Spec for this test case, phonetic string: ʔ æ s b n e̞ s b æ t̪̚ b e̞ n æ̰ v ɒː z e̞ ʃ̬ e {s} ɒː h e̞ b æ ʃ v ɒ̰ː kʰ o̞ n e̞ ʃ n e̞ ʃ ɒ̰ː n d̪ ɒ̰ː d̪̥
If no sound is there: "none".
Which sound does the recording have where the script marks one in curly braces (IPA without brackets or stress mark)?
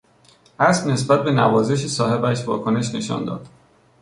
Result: s